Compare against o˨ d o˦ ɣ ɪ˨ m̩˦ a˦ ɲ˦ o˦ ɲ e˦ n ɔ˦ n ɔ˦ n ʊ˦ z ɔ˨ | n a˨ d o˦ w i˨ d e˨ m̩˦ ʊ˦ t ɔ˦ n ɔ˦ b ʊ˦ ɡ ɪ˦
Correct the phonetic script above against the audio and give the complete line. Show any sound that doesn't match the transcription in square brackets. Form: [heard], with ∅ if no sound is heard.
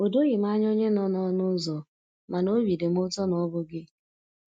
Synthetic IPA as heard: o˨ d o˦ ɣ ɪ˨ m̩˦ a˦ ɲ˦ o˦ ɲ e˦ n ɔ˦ n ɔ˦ n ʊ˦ z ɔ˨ | [m] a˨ [n] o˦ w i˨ d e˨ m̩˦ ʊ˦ t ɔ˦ n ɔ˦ b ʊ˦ ɡ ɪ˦